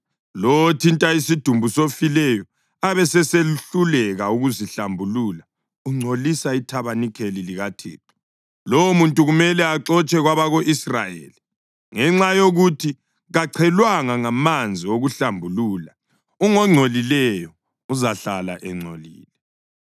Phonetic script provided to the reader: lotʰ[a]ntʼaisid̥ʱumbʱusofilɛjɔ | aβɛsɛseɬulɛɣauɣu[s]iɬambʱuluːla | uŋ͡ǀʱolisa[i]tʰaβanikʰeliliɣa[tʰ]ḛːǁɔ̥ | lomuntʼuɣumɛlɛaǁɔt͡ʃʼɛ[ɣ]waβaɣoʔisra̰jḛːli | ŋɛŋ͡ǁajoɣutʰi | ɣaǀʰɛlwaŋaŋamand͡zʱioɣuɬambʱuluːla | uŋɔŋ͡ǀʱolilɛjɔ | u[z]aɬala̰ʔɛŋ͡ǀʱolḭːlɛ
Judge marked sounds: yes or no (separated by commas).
no, no, yes, yes, yes, yes